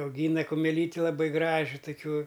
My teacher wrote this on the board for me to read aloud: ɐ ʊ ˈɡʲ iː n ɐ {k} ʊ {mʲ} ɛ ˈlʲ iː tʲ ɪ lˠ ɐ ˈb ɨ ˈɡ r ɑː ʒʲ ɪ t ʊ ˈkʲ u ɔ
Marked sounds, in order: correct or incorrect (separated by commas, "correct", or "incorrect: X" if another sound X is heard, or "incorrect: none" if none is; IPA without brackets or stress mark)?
correct, correct